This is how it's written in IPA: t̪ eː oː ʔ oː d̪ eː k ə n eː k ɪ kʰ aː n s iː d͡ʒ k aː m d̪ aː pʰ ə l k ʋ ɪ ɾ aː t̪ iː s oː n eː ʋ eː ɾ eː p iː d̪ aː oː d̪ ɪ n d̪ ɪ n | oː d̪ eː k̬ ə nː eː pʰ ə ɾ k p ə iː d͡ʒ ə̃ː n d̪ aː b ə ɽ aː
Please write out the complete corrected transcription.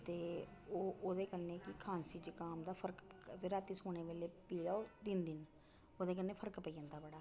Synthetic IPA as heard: t̪ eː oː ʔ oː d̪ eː k ə n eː k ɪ kʰ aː n s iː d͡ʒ k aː m d̪ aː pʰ ə ɾ k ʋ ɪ ɾ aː t̪ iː s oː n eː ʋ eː l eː p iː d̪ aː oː d̪ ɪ n d̪ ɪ n | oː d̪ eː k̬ ə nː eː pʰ ə ɾ k p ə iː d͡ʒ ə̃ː n d̪ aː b ə ɽ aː